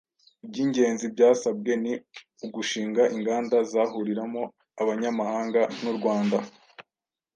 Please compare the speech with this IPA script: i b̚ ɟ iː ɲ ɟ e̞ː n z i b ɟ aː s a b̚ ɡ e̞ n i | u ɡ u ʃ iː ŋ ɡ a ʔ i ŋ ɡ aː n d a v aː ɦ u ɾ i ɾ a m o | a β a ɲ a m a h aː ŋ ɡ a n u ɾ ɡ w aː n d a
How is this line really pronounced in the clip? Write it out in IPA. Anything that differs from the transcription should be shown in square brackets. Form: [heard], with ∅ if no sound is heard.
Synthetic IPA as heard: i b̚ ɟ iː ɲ ɟ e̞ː n z i b ɟ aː s a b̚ ɡ e̞ n i | u ɡ u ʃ iː ŋ ɡ a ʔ i ŋ ɡ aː n d a [z] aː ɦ u ɾ i ɾ a m o | a β a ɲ a m a h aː ŋ ɡ a n u ɾ ɡ w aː n d a